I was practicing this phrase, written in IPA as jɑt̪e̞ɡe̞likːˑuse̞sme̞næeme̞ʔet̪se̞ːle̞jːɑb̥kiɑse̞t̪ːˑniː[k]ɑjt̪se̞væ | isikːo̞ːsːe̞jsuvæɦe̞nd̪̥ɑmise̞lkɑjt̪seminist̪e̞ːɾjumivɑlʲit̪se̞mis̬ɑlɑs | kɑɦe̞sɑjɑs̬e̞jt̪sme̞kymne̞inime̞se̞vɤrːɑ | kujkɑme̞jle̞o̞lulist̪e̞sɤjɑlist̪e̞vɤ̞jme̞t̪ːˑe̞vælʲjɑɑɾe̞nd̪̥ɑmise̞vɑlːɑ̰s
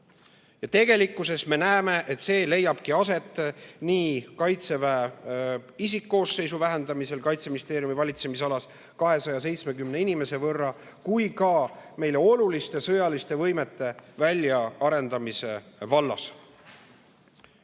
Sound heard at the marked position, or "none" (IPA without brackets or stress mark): k